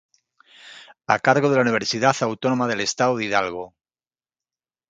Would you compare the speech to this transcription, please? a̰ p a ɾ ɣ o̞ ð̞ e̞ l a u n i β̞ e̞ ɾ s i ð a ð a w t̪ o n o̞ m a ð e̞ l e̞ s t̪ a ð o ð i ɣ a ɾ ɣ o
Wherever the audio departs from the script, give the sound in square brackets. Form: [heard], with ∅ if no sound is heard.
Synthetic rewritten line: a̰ [k] a ɾ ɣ o̞ ð̞ e̞ l a u n i β̞ e̞ ɾ s i ð a [θ] a w t̪ o n o̞ m a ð e̞ l e̞ s t̪ a ð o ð i [ð] a [l] ɣ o